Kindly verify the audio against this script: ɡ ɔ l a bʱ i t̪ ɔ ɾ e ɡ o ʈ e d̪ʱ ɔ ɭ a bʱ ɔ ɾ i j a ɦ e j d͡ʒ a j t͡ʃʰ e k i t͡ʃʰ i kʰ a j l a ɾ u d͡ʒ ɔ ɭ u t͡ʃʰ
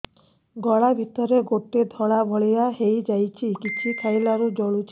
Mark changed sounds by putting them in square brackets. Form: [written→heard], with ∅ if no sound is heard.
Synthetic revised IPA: ɡ ɔ [l→ɭ] a bʱ i t̪ ɔ ɾ e ɡ o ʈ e d̪ʱ ɔ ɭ a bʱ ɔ [ɾ→ɭ] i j a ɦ e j d͡ʒ a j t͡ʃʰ [e→i] k i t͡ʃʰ i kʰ a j l a ɾ u d͡ʒ ɔ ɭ u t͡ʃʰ